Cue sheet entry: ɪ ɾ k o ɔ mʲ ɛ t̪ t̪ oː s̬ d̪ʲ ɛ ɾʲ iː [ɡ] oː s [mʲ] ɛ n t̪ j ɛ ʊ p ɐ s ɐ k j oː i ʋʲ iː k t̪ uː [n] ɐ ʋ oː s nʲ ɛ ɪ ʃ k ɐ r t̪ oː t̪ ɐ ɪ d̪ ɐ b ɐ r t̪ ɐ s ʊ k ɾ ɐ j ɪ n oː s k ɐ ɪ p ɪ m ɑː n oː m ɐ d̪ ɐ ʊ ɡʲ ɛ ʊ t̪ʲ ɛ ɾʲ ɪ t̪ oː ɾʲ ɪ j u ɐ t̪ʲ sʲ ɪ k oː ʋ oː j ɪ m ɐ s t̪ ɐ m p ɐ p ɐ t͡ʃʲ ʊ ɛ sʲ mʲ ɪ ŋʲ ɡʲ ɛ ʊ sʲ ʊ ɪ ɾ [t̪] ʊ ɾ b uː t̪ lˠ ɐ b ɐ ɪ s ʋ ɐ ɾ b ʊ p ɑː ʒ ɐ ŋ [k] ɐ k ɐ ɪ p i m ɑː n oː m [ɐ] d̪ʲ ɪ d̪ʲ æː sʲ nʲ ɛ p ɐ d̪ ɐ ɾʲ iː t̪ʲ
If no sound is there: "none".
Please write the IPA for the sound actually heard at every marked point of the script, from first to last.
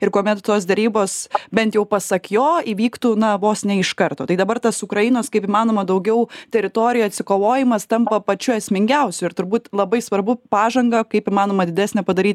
b, bʲ, n, t̪, ɡ, ɐ

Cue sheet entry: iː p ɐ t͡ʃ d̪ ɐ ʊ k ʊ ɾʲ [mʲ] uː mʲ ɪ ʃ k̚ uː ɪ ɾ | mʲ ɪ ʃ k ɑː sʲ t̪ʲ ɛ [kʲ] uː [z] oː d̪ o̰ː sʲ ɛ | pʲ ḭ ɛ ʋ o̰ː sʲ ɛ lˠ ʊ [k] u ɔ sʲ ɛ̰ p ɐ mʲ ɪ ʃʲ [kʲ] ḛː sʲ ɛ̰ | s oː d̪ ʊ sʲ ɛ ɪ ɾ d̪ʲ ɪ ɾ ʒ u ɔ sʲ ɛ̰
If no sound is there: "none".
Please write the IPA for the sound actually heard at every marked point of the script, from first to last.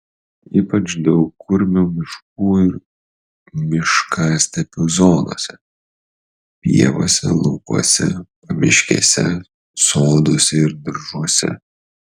mʲ, pʲ, z, k, kʲ

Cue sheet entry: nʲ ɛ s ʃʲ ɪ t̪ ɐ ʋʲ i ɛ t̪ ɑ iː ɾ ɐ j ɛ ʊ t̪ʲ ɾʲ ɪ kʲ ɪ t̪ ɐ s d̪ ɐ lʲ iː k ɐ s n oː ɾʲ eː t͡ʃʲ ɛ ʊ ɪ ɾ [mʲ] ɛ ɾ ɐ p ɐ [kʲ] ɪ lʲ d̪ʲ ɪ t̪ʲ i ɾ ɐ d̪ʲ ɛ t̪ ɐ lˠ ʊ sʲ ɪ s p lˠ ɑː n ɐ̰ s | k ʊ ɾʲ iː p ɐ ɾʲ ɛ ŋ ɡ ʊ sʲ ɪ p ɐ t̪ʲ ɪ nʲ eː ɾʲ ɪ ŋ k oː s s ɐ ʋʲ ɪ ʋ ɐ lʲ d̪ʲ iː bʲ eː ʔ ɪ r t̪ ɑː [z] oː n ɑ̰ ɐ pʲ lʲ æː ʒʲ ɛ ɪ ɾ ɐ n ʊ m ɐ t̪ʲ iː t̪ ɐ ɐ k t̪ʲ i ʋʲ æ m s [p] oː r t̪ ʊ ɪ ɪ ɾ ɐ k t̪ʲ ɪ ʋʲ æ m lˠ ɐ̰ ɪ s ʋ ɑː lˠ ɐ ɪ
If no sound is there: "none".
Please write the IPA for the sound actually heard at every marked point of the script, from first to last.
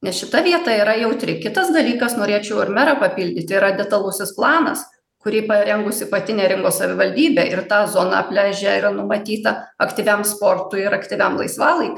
mʲ, pʲ, z, p

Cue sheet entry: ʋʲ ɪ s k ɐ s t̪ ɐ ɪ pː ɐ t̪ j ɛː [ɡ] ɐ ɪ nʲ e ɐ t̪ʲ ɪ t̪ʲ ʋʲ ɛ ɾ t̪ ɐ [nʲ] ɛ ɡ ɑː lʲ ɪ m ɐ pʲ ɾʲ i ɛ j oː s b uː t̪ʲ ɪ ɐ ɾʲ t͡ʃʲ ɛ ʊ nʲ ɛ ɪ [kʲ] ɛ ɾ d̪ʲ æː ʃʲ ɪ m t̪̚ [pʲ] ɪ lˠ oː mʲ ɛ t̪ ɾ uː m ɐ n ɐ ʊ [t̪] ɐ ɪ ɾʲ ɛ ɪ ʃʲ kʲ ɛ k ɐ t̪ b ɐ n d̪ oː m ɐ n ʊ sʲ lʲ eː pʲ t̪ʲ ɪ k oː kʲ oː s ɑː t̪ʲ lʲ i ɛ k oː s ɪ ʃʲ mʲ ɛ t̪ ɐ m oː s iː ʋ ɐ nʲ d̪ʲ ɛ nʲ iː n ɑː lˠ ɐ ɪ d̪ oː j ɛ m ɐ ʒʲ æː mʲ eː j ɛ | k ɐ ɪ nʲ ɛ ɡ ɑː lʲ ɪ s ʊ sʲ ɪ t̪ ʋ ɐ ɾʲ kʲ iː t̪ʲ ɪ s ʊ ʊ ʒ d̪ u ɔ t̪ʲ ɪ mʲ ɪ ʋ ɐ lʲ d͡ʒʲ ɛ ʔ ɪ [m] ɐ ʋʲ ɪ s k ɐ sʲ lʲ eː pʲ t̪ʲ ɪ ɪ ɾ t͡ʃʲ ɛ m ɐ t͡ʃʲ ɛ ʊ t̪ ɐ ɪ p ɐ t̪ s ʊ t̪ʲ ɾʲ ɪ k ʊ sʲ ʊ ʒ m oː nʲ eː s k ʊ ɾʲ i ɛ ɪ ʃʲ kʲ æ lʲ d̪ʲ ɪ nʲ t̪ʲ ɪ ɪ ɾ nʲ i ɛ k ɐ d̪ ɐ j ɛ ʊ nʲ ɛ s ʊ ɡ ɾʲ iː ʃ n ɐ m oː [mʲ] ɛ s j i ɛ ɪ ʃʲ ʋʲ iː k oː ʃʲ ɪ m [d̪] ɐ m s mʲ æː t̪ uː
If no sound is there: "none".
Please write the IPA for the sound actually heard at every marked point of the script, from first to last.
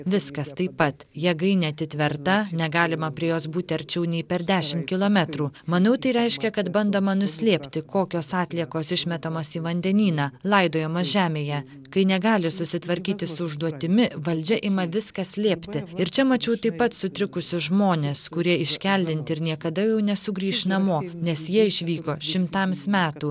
ɡ, nʲ, pʲ, kʲ, t̪, m, nʲ, t̪

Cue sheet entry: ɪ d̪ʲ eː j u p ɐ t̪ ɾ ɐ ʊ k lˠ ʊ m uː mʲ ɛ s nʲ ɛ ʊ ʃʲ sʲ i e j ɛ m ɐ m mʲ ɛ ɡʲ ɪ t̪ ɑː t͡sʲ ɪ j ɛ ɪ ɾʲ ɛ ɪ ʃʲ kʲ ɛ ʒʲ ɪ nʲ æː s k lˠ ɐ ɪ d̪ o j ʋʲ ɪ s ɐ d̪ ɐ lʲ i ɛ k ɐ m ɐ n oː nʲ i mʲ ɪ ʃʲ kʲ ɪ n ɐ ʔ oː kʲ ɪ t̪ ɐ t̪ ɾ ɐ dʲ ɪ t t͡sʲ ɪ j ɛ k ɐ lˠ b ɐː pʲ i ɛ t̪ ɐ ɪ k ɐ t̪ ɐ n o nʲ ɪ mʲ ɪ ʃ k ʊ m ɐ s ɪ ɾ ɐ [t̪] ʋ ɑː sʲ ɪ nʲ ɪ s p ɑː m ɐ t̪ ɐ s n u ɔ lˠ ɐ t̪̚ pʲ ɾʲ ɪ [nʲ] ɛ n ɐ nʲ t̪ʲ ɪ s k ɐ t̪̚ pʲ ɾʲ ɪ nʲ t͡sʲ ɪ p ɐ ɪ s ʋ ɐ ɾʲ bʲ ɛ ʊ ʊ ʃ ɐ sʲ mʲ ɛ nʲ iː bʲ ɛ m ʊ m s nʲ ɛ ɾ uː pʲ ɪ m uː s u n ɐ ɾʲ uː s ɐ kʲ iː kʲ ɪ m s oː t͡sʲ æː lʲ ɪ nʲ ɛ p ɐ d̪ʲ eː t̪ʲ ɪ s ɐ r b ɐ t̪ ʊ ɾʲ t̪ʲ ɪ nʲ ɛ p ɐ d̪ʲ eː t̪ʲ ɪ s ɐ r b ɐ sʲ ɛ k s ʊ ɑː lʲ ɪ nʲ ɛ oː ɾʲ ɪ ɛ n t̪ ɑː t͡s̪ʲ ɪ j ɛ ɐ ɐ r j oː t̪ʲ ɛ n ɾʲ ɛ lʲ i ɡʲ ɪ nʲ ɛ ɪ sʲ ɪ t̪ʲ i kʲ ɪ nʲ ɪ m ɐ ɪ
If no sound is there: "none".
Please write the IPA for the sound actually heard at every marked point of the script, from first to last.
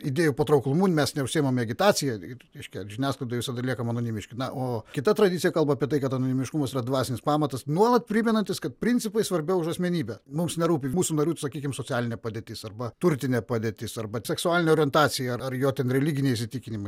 d̪, mʲ

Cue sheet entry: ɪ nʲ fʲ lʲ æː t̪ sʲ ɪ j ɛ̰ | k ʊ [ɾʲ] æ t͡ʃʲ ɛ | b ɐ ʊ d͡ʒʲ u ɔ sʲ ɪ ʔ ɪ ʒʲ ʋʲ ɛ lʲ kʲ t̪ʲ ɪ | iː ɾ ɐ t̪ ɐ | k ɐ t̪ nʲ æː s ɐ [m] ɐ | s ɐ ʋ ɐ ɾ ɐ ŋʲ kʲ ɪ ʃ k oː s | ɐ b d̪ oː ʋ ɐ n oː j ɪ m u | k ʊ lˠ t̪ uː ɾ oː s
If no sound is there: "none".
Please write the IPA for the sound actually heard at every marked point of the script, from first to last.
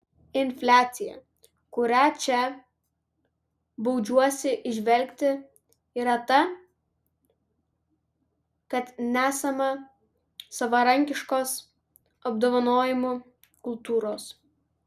ɾʲ, m

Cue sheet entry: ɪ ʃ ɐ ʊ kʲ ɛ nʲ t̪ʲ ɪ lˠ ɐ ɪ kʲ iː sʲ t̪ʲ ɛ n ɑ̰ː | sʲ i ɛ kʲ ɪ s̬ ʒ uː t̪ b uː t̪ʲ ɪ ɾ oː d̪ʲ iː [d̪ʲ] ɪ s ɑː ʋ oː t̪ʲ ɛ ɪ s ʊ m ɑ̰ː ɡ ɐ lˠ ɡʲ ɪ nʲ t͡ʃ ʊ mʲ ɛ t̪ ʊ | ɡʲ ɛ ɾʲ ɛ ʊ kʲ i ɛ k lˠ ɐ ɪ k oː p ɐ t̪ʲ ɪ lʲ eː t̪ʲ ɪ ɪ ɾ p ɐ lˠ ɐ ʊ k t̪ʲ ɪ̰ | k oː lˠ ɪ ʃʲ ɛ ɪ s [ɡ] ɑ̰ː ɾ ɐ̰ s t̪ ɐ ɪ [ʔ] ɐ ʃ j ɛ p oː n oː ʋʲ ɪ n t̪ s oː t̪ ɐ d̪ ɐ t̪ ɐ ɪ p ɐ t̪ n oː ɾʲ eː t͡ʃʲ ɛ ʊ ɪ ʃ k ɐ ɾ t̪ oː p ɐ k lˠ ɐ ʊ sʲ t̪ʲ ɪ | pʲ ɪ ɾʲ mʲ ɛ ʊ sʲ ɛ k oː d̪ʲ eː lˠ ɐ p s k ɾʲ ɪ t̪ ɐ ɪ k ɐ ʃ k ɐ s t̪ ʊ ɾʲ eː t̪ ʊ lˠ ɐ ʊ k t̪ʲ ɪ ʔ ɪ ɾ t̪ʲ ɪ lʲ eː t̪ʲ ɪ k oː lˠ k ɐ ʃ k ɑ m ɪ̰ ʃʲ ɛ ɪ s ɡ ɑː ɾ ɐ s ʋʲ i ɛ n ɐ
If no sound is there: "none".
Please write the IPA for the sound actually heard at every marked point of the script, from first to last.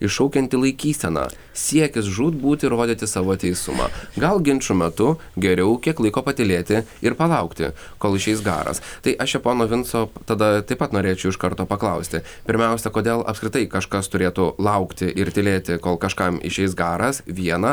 t̪ʲ, ɡ, ʔ

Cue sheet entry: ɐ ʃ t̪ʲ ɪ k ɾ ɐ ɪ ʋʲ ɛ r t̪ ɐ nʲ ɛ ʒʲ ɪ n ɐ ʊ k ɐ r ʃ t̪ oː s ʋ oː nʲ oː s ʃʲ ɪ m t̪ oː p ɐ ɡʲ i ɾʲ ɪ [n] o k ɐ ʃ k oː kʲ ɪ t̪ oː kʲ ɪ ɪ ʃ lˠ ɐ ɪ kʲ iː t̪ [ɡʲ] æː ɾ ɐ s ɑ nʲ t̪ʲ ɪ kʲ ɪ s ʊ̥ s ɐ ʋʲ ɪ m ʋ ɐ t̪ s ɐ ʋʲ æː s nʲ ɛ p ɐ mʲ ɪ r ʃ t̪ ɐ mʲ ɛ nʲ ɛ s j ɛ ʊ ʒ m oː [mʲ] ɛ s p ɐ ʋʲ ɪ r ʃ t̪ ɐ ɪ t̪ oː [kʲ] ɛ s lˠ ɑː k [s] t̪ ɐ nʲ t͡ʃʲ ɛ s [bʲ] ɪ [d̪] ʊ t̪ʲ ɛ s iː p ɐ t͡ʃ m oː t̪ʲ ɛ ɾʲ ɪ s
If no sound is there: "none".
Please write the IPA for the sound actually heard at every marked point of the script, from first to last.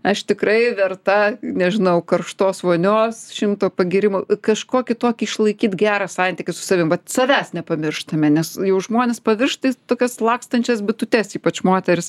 m, ɡʲ, nʲ, kʲ, s, bʲ, t̪

